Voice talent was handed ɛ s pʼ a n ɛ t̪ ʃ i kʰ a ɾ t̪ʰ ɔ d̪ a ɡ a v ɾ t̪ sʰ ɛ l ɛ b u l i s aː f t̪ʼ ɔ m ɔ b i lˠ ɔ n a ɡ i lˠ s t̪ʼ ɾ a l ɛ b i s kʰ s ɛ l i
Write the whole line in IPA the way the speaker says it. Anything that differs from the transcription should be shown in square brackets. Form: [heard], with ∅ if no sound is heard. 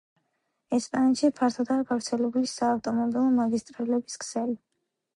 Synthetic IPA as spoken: ɛ s pʼ a n ɛ t̪ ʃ i [pʰ] a ɾ t̪ʰ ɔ d̪ a ɡ a v ɾ t̪ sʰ ɛ l ɛ b u l i s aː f t̪ʼ ɔ m ɔ b i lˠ ɔ [m] a ɡ i [∅] s t̪ʼ ɾ a l ɛ b i s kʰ s ɛ l i